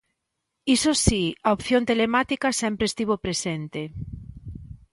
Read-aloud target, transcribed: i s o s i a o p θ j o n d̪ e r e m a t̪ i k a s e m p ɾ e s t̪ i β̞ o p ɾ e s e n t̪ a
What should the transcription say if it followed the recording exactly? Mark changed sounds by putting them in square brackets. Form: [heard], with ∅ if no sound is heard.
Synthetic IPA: i s o s i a o p θ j o n [t̪] e [l] e m a t̪ i k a s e m p ɾ e s t̪ i β̞ o p ɾ e s e n t̪ [e]